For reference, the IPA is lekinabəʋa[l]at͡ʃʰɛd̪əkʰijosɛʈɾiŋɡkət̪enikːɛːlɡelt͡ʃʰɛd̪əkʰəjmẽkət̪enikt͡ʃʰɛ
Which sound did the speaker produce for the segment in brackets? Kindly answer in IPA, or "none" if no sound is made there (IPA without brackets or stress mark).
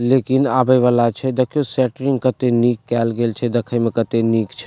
l